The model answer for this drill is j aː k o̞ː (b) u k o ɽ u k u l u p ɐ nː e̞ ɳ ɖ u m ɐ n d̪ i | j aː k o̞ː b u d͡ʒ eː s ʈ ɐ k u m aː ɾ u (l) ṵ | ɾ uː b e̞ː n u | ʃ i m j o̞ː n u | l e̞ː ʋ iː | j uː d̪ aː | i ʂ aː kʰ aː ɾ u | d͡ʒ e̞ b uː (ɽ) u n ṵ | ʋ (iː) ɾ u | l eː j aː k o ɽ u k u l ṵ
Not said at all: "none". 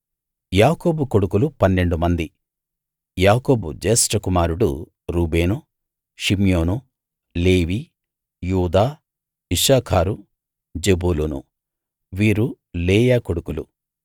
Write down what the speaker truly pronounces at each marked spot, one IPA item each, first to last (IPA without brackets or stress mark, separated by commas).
b, ɽ, l, iː